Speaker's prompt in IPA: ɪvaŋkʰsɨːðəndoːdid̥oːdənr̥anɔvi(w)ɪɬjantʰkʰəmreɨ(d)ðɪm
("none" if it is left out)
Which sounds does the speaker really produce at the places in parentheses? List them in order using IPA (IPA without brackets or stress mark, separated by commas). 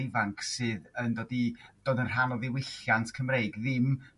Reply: w, ɡ